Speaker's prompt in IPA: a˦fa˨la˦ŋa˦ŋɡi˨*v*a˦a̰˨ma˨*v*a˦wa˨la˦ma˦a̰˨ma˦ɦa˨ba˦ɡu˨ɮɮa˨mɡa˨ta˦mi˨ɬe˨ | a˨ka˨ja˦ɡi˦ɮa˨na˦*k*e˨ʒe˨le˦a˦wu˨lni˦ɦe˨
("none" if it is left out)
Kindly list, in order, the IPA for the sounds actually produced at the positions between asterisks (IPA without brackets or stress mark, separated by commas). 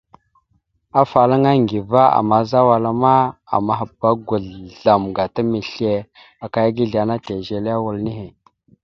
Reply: v, z, t